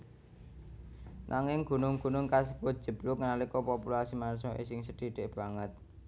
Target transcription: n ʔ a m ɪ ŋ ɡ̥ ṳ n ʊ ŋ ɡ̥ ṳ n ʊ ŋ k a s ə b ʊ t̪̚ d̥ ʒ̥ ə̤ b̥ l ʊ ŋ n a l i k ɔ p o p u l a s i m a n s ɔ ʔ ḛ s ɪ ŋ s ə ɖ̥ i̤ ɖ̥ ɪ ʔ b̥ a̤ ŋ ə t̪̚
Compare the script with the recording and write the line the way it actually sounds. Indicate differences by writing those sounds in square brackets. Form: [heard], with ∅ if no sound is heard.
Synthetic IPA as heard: n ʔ a [ŋ] ɪ ŋ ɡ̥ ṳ n ʊ ŋ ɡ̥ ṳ n ʊ ŋ k a s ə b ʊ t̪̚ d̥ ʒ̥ ə̤ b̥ l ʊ ŋ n a l i k ɔ p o p u l a s i m a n s ɔ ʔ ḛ s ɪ ŋ s ə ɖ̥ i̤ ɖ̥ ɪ ʔ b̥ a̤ ŋ ə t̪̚